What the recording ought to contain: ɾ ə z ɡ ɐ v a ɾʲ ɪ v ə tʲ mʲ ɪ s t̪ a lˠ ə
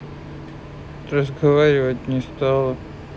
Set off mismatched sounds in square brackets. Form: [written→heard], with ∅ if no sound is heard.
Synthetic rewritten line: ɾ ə z ɡ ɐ v a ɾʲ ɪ v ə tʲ [mʲ→nʲ] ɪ s t̪ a lˠ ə